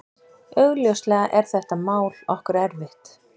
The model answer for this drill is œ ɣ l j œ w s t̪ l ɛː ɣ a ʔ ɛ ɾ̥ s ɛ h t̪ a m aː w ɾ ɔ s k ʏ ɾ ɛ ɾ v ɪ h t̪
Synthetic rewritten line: œ ɣ l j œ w s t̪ l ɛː ɣ a ʔ ɛ ɾ̥ θ ɛ h t̪ a m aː w l ɔ h k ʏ ɾ ɛ ɾ v ɪ h t̪